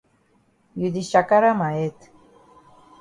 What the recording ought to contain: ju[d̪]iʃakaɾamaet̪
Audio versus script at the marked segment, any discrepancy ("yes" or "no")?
no